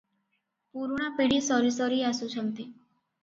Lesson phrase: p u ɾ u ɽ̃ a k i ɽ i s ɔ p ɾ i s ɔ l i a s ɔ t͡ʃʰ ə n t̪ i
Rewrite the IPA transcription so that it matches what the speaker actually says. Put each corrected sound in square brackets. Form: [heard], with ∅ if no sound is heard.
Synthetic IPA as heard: p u ɾ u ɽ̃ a [p] i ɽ i s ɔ [∅] ɾ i s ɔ [ɾ] i a s [u] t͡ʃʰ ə n t̪ i